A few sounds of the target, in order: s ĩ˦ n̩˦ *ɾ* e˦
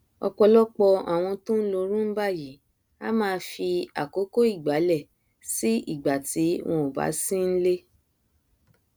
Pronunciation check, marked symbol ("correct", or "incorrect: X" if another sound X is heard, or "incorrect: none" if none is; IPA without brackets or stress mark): incorrect: l